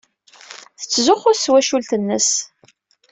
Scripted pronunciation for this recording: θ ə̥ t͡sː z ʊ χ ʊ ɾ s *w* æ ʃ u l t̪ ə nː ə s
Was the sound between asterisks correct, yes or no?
yes